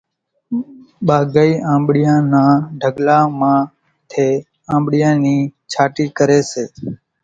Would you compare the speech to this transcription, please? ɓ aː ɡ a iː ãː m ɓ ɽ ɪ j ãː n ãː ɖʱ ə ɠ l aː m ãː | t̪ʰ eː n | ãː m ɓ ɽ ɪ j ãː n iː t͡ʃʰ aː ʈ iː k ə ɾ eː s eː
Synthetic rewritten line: ɓ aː ɡ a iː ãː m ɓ ɽ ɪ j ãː n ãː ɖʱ ə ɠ l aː m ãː | t̪ʰ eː | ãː m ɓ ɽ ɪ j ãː n iː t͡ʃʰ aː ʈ iː k ə ɾ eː s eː

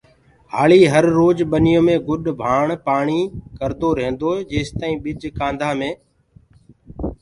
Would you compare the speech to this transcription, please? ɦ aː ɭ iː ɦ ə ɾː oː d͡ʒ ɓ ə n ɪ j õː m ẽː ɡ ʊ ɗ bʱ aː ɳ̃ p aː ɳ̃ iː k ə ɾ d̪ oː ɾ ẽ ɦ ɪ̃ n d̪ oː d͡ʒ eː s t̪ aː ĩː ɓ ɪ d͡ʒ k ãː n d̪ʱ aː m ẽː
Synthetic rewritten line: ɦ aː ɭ iː ɦ ə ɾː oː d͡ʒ ɓ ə n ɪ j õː m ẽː ɡ ʊ ɗ bʱ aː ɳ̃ p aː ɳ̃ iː k ə ɾ d̪ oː ɾ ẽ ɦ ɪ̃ n d̪ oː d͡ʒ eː s t̪ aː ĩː ɓ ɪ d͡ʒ k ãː n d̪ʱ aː m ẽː

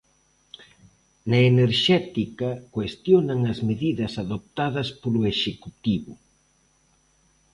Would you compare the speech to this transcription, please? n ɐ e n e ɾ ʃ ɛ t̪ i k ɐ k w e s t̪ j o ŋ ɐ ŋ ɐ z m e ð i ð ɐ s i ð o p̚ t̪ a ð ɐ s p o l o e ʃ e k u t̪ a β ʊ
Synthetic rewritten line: n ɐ e n e ɾ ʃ ɛ t̪ i k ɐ k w e s t̪ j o n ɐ ŋ ɐ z m e ð i ð ɐ s a ð o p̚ t̪ a ð ɐ s p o l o e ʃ e k u t̪ i β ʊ

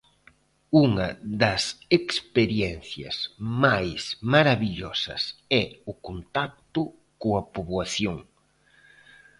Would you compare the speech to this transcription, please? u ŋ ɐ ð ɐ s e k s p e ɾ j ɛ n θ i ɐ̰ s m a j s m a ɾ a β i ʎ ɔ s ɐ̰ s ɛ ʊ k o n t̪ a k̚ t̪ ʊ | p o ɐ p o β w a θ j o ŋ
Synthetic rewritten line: u ŋ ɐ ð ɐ s e k s p e ɾ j ɛ n θ j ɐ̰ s m a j s m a ɾ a β i ʎ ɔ s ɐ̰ s ɛ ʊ k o n t̪ a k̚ t̪ ʊ | k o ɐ p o β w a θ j o ŋ

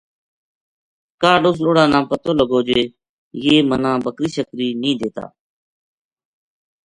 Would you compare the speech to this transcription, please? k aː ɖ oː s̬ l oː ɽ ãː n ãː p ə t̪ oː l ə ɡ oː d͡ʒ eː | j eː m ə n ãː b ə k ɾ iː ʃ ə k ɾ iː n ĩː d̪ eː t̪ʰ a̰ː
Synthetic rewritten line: k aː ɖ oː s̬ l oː ɽ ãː n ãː p ə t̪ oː l ə ɡ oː d͡ʒ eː | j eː m ə n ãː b ə k ɾ iː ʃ ə k ɾ iː n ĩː d̪ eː t̪ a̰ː

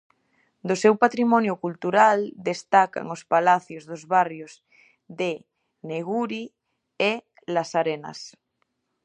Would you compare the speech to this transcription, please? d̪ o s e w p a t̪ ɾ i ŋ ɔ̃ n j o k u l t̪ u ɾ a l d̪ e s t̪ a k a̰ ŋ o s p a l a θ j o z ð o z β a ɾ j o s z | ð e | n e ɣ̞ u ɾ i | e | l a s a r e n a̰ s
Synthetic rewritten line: d̪ o s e w p a t̪ ɾ i m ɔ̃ n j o k u l t̪ u ɾ a l d̪ e s t̪ a k a̰ ŋ o s p a l a θ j o z ð o z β a r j o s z | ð e | n e ɣ̞ u ɾ i | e | l a s a ɾ e n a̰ s

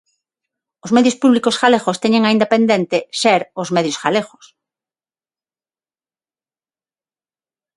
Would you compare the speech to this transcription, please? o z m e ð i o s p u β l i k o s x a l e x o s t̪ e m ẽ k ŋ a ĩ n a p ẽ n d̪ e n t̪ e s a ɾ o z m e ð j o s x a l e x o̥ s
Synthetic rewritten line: o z m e ð j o s p u β l i k o s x a l e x o s t̪ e ɲ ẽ ŋ a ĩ n a p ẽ n d̪ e n t̪ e s e ɾ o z m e ð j o s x a l e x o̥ s

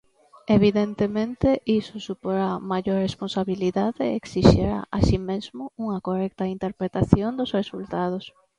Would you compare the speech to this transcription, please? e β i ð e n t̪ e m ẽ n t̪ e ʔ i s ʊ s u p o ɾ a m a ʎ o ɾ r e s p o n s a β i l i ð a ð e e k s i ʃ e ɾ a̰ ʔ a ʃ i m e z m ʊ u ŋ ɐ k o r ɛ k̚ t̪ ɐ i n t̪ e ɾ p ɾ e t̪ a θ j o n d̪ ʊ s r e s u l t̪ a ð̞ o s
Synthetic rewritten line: e β i ð e n t̪ e m ẽ n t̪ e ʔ i s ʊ s u p o ɾ a m a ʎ o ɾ r e s p o n s a β i l i ð a ð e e k s i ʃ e ɾ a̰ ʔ a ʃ i m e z m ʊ u ŋ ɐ k o r ɛ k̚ t̪ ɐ i n t̪ e ɾ p ɾ e t̪ a θ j o n d̪ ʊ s r e s u l t̪ a ð̞ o s

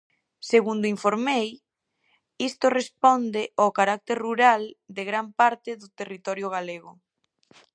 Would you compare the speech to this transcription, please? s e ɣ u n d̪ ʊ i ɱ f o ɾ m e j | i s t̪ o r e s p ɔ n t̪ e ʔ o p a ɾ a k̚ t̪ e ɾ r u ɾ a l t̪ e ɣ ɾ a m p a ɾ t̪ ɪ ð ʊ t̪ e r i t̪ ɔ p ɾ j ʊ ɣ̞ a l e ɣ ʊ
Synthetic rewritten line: s e ɣ u n d̪ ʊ i ɱ f o ɾ m e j | i s t̪ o r e s p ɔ n d̪ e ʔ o k a ɾ a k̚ t̪ e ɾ r u ɾ a l d̪ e ɣ ɾ a m p a ɾ t̪ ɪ ð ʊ t̪ e r i t̪ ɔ ɾ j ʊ ɣ̞ a l e ɣ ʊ

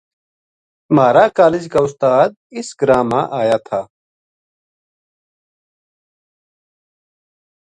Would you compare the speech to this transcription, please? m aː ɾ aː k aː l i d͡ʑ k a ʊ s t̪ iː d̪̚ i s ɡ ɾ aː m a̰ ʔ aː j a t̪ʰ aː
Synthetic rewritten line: m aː ɾ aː k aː l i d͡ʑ k a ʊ s t̪ aː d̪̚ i s ɡ ɾ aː m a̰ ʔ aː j a t̪ʰ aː

